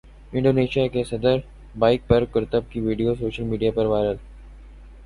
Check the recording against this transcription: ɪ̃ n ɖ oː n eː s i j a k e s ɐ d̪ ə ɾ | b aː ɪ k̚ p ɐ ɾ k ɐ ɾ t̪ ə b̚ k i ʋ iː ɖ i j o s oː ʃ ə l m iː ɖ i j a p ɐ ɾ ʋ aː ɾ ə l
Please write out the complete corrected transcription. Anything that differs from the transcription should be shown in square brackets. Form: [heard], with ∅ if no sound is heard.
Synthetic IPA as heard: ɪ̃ [ɳ] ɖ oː n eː [ʃ] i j a k e s ɐ d̪ ə ɾ | b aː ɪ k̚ p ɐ ɾ k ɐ ɾ t̪ ə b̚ k i ʋ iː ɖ i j o s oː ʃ ə l m iː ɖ i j a p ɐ ɾ ʋ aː ɾ ə l